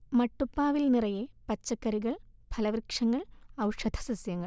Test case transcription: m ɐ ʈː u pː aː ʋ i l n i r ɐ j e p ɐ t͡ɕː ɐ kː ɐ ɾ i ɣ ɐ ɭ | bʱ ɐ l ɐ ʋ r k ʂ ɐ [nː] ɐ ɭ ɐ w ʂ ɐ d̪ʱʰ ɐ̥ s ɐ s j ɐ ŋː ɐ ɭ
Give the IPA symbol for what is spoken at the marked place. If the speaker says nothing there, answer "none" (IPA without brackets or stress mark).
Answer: ŋː